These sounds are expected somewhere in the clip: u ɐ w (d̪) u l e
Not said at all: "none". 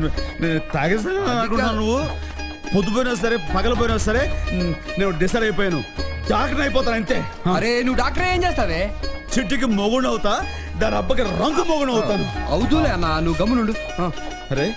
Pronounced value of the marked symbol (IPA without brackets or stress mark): d̪